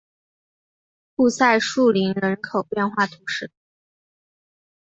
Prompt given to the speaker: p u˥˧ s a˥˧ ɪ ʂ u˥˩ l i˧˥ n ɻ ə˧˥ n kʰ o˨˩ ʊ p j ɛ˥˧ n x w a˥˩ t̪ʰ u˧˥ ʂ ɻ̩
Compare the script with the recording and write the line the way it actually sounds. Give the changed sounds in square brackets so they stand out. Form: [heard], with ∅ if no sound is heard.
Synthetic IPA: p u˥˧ s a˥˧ ɪ ʂ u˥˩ l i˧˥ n ɻ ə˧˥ n kʰ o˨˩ ʊ p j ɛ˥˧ n x w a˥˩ t̪ʰ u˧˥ ʂ ɻ̩

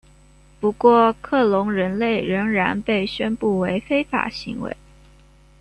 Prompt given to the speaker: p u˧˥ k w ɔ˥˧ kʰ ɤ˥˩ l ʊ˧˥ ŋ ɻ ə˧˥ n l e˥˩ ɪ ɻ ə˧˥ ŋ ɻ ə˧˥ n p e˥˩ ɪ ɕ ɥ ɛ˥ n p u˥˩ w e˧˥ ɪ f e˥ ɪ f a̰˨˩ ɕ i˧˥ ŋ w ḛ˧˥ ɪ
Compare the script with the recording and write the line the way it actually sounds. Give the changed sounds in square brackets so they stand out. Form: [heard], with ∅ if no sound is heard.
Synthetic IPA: p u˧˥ k w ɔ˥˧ kʰ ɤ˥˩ l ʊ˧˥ ŋ ɻ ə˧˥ n l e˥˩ ɪ ɻ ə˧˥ ŋ ɻ [a˧˥] n p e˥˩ ɪ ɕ ɥ ɛ˥ n p u˥˩ w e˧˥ ɪ f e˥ ɪ f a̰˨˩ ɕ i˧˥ ŋ w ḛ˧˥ ɪ

